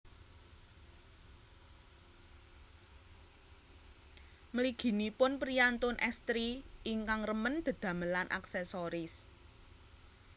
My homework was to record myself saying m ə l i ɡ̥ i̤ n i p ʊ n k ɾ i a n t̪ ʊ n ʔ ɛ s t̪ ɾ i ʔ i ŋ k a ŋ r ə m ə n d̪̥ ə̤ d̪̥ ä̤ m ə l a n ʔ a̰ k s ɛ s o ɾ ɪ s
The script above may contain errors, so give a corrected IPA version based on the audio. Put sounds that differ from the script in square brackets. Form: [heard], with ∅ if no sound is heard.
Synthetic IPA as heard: m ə l i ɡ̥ i̤ n i p ʊ n [p] ɾ i a n t̪ ʊ n ʔ ɛ s t̪ ɾ i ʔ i ŋ k a ŋ r ə m ə n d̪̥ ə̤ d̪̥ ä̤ m ə l a n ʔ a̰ k s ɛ s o ɾ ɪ s